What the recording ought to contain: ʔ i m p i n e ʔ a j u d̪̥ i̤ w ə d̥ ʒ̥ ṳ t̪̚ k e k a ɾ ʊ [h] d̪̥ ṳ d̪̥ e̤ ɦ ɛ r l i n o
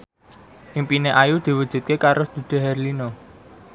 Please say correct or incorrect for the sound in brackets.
incorrect